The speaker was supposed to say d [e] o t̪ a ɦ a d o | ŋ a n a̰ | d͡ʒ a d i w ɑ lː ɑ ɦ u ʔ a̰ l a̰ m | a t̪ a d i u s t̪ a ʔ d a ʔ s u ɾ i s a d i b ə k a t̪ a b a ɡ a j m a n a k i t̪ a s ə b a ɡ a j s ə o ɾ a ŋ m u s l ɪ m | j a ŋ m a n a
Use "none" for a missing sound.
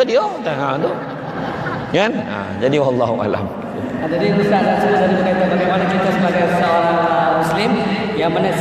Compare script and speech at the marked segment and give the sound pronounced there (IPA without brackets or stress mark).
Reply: i